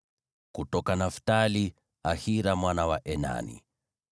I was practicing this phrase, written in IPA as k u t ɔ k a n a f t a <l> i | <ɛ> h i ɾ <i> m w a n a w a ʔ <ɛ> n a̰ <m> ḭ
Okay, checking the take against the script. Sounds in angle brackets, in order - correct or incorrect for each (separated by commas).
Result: correct, incorrect, incorrect, correct, incorrect